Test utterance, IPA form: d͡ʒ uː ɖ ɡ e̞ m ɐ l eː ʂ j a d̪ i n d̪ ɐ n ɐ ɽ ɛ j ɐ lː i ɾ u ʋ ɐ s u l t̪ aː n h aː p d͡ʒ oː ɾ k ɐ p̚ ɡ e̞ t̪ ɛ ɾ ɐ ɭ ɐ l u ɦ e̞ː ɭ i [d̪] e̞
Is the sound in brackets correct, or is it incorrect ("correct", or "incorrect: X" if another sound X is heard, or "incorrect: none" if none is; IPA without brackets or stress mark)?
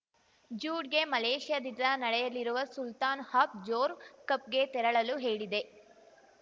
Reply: correct